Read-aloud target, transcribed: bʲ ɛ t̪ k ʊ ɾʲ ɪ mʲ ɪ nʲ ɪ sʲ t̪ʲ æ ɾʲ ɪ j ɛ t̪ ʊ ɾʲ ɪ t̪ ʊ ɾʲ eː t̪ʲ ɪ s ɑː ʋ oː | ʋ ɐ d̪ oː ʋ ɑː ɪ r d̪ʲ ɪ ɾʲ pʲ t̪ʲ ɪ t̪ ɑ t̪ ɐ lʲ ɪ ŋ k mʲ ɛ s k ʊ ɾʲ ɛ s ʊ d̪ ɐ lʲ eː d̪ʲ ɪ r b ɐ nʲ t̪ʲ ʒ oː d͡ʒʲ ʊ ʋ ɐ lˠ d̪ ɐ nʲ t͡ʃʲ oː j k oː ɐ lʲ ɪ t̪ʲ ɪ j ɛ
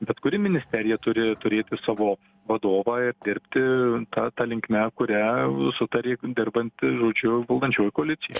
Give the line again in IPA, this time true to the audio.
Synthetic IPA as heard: bʲ ɛ t̪ k ʊ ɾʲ ɪ mʲ ɪ nʲ ɪ sʲ t̪ʲ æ ɾʲ ɪ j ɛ t̪ ʊ ɾʲ ɪ t̪ ʊ ɾʲ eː t̪ʲ ɪ s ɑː ʋ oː | ʋ ɐ d̪ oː ʋ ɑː ɪ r d̪ʲ ɪ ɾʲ pʲ t̪ʲ ɪ t̪ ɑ t̪ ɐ lʲ ɪ ŋ k mʲ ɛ k ʊ ɾʲ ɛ s ʊ t̪ ɐ ɾʲ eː d̪ʲ ɪ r b ɐ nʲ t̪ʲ ʒ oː d͡ʒʲ ʊ ʋ ɐ lˠ d̪ ɐ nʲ t͡ʃʲ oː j k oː ɐ lʲ ɪ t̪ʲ ɪ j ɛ

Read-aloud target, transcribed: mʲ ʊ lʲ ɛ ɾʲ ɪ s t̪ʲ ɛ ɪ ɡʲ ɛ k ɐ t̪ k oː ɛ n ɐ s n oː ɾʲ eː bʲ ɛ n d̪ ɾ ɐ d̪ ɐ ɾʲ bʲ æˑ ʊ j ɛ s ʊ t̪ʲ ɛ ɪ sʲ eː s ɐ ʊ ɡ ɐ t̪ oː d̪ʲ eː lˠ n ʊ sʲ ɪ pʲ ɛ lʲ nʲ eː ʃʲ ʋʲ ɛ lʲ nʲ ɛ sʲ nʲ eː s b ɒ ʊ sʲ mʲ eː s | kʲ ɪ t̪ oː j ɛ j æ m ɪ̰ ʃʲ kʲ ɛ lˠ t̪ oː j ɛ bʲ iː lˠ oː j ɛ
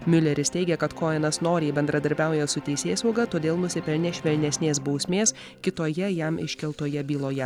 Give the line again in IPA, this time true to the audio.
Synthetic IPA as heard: mʲ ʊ lʲ ɛ ɾʲ ɪ s t̪ʲ ɛ ɪ ɡʲ ɛ k ɐ t̪ k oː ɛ n ɐ s n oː ɾʲ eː bʲ ɛ n d̪ ɾ ɐ d̪ ɐ ɾʲ bʲ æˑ ʊ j ɛ s ʊ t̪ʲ ɛ ɪ sʲ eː s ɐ ʊ ɡ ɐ t̪ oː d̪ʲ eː lˠ n ʊ sʲ ɪ pʲ ɛ lʲ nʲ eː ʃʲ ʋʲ ɛ lʲ nʲ ɛ sʲ nʲ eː s b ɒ ʊ sʲ mʲ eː s | kʲ ɪ t̪ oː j ɛ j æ m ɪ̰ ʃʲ kʲ ɛ lˠ t̪ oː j ɛ bʲ iː lˠ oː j ɛ

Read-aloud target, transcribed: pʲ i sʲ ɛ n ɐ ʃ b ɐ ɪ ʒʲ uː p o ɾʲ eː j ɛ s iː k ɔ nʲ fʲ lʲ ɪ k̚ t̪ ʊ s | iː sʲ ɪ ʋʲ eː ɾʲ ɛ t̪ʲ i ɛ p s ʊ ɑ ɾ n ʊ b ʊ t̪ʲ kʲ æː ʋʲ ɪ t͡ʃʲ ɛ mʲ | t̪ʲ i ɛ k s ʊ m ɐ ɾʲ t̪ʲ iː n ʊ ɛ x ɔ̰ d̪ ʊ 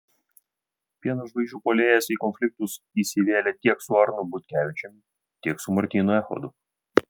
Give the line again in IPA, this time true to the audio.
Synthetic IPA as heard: pʲ i ɛ n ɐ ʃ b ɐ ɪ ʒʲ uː p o lʲ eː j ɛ s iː k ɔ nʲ fʲ lʲ ɪ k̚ t̪ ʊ s | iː sʲ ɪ ʋʲ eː lʲ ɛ t̪ʲ i ɛ k s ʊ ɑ ɾ n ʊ b ʊ t̪ʲ kʲ æː ʋʲ ɪ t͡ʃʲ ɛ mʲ | t̪ʲ i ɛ k s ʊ m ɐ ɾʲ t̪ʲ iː n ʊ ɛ x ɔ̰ d̪ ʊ

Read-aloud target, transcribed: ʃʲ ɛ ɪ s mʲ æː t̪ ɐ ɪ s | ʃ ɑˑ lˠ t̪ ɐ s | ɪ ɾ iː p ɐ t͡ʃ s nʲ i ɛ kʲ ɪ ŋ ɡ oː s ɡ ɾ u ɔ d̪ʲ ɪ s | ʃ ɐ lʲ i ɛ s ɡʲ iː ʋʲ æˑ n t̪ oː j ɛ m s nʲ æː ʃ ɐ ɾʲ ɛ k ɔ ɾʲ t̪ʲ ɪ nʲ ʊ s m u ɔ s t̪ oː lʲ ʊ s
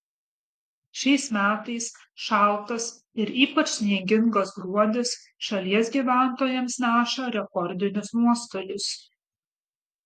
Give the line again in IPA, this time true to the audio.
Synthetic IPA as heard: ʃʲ ɛ ɪ s mʲ æː t̪ ɐ ɪ s | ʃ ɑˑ lˠ t̪ ɐ s | ɪ ɾ iː p ɐ t͡ʃ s nʲ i ɛ ɡʲ ɪ ŋ ɡ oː s ɡ ɾ u ɔ d̪ʲ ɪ s | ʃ ɐ lʲ i ɛ s ɡʲ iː ʋʲ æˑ n t̪ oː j ɛ m s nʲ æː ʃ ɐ ɾʲ ɛ k ɔ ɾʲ d̪ʲ ɪ nʲ ʊ s n u ɔ s t̪ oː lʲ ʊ s

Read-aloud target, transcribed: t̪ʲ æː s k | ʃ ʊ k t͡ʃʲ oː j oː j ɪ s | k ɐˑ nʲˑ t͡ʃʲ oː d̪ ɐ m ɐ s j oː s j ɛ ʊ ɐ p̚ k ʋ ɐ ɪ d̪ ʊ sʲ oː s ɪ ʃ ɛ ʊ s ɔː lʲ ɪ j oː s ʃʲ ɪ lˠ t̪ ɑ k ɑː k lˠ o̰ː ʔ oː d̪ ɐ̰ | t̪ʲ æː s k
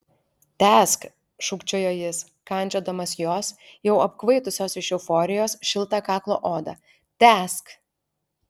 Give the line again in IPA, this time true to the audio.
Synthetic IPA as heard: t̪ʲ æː s k | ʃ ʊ k t͡ʃʲ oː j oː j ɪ s | k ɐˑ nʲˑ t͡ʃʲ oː d̪ ɐ m ɐ s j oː s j ɛ ʊ ɐ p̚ k ʋ ɐ ɪ t̪ ʊ sʲ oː s ɪ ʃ ɛ ʊ f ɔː ɾʲ ɪ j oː s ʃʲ ɪ lˠ t̪ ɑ k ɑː k lˠ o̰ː ʔ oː d̪ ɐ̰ | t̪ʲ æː s k

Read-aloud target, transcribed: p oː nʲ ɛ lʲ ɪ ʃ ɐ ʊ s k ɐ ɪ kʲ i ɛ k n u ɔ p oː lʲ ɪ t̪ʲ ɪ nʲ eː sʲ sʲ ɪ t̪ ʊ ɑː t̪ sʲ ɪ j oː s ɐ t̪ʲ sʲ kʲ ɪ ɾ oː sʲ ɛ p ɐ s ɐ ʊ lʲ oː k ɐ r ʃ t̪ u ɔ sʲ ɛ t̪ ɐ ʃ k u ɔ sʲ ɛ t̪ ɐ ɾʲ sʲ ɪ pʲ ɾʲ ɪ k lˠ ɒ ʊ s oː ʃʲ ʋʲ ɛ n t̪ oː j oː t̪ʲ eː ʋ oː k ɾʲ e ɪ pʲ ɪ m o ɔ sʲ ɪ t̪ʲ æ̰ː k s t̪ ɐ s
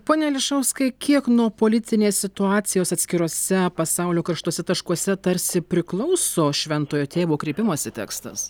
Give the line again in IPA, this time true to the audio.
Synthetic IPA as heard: p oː nʲ ɛ lʲ ɪ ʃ ɐ ʊ s k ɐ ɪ kʲ i ɛ k n u ɔ p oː lʲ ɪ t̪ʲ ɪ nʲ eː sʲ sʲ ɪ t̪ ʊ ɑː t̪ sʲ ɪ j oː s ɐ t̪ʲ sʲ kʲ ɪ ɾ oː sʲ ɛ p ɐ s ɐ ʊ lʲ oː k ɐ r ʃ t̪ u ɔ sʲ ɛ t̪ ɐ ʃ k u ɔ sʲ ɛ t̪ ɐ ɾʲ sʲ ɪ pʲ ɾʲ ɪ k lˠ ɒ ʊ s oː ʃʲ ʋʲ ɛ n t̪ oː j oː t̪ʲ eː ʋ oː k ɾʲ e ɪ pʲ ɪ m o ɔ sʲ ɪ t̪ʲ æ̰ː k s t̪ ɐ s

